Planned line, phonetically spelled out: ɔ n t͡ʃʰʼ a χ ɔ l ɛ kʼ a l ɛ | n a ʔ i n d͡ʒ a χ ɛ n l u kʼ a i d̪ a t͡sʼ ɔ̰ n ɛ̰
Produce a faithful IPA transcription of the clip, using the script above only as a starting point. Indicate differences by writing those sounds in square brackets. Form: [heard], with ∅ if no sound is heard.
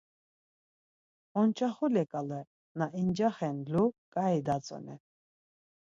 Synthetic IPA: ɔ n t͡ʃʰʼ a χ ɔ l ɛ kʼ a l ɛ | n a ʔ i n d͡ʒ a χ ɛ n l u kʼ a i d̪ a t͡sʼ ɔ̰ n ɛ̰

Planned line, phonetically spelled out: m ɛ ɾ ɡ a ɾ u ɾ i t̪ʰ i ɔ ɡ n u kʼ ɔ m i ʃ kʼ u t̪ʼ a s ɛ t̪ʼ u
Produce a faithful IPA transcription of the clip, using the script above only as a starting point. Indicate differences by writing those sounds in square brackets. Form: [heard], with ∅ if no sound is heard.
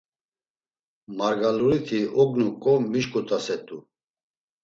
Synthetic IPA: m [a] ɾ ɡ a [l] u ɾ i t̪ʰ i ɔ ɡ n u kʼ ɔ m i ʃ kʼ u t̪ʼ a s ɛ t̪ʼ u

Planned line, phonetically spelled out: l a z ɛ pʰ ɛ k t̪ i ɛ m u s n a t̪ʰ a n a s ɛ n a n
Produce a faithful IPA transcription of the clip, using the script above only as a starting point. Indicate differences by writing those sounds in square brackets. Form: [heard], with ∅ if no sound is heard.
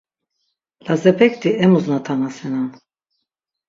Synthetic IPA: l a z ɛ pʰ ɛ k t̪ i ɛ m u [z] n a t̪ʰ a n a s ɛ n a n

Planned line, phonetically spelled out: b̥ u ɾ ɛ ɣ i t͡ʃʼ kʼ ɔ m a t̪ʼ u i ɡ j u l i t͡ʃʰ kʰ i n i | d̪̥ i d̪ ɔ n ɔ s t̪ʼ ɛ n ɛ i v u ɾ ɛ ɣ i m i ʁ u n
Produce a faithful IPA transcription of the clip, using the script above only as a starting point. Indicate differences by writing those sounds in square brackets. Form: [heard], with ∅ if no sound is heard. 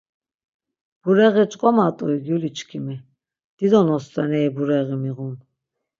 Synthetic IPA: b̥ u ɾ ɛ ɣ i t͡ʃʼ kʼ ɔ m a t̪ʼ u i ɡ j u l i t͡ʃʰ kʰ i [m] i | d̪̥ i d̪ ɔ n ɔ s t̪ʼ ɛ n ɛ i [b] u ɾ ɛ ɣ i m i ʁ u n

